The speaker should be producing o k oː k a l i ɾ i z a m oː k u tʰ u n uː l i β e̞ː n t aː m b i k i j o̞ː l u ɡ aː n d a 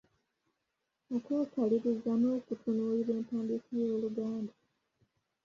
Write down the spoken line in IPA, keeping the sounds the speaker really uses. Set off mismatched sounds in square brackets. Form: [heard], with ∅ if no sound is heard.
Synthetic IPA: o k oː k a l i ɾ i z a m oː k u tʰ u n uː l i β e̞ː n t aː m b i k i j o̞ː l u ɡ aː n d a